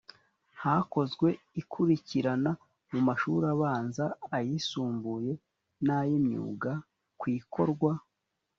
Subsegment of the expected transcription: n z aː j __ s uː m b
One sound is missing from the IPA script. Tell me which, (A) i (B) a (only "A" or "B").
A